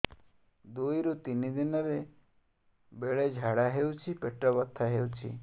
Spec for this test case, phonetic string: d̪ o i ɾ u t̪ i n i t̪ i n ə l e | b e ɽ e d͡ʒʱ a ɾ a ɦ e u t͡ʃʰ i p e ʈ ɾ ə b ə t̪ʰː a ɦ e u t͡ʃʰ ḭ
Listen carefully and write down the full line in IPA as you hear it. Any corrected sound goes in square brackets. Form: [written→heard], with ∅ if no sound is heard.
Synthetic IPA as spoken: d̪ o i ɾ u t̪ i n i [t̪→d̪] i n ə [l→ɾ] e | b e [ɽ→ɭ] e d͡ʒʱ a [ɾ→ɽ] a ɦ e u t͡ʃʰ i p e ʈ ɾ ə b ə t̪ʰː a ɦ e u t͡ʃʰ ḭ